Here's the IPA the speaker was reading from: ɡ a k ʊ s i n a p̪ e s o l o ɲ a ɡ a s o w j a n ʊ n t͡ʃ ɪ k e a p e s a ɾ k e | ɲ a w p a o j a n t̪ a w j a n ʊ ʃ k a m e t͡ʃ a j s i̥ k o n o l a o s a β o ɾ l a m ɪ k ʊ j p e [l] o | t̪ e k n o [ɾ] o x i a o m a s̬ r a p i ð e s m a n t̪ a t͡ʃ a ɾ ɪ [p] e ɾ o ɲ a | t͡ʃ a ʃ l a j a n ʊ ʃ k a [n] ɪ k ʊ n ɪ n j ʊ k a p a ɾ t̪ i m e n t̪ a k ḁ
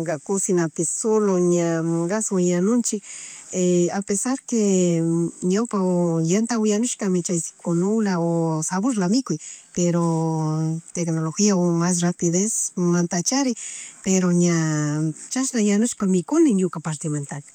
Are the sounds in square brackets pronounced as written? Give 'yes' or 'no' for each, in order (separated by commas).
no, no, yes, no